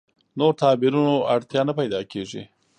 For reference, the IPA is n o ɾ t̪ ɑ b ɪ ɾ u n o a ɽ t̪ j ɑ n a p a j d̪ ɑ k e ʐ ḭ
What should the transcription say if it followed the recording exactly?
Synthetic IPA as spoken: n o ɾ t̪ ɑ b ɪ ɾ u n o a ɽ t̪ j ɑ n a p a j d̪ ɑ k e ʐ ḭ